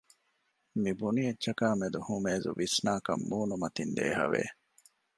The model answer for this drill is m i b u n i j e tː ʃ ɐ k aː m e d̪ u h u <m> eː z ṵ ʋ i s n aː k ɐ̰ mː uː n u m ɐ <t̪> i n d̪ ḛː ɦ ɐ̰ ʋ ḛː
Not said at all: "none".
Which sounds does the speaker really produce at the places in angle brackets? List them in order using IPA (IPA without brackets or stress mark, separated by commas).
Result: m, t̪